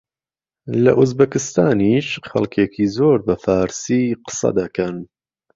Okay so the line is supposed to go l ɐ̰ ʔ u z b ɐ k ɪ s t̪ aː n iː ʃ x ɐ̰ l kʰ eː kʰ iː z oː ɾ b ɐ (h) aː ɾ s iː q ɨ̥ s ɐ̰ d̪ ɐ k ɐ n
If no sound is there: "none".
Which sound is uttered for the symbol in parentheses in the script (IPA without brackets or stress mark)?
f